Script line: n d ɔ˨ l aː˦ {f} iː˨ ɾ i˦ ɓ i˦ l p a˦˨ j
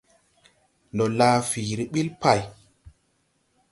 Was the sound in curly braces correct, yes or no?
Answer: yes